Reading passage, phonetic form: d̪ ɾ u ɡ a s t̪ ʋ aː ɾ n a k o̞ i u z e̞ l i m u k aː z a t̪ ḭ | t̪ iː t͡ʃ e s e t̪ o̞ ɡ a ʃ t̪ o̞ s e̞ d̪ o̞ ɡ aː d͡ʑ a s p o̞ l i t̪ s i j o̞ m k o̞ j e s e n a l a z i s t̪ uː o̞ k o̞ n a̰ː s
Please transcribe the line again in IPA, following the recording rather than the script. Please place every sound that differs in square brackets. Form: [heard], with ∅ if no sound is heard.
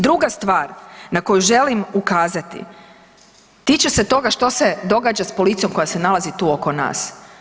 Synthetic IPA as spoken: d̪ ɾ u ɡ a s t̪ ʋ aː ɾ n a k o̞ [j] u [ʒ] e̞ l i m u k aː z a t̪ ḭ | t̪ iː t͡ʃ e s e t̪ o̞ ɡ a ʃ t̪ o̞ s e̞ d̪ o̞ ɡ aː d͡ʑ a s p o̞ l i t̪ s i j o̞ m k o̞ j [a] s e n a l a z i [∅] t̪ uː o̞ k o̞ n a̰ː s